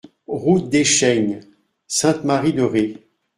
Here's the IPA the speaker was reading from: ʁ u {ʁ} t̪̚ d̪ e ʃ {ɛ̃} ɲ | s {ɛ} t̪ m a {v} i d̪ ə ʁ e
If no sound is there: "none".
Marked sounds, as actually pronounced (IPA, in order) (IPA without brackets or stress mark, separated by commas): none, ɛ, ɛ̃, ʁ